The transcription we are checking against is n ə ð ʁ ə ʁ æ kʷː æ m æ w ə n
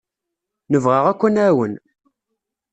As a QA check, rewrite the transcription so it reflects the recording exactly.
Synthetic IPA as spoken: n ə v ʁ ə ʁ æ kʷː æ n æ w ə n